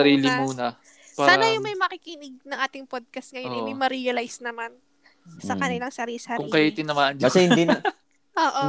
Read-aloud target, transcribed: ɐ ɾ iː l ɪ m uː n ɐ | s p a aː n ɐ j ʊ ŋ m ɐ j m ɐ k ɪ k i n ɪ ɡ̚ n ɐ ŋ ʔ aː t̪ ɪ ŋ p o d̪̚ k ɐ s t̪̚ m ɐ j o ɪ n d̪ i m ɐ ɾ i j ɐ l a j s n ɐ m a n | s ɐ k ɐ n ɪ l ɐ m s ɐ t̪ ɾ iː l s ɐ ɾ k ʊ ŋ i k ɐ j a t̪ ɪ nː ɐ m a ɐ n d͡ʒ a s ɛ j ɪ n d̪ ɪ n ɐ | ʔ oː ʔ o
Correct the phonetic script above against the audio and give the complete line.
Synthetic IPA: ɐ ɾ iː l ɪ m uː n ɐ | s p a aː n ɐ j ʊ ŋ m ɐ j m ɐ k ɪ k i n ɪ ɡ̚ n ɐ ŋ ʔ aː t̪ ɪ ŋ p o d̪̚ k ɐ s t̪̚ ŋ ɐ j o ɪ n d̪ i m ɐ ɾ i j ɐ l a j s n ɐ m a n | s ɐ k ɐ n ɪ l ɐ ŋ s ɐ ɾ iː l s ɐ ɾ k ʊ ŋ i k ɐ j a t̪ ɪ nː ɐ m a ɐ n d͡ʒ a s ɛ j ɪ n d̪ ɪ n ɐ | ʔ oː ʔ o